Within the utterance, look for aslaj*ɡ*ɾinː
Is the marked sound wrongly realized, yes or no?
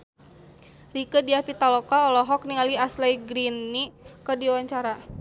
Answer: no